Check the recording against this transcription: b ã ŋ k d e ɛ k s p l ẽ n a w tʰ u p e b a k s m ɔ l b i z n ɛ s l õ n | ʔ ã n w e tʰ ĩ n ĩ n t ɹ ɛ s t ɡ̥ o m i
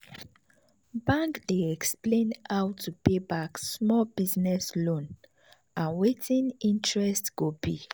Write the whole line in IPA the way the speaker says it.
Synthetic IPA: b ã ŋ k d e ɛ k s p l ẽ n a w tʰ u p e b a k s m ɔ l b i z n ɛ s l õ n | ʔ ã n w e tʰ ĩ n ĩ n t ɹ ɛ s t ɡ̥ o b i